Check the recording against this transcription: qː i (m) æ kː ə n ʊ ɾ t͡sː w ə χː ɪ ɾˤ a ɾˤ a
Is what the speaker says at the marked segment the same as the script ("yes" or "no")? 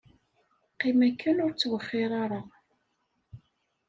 yes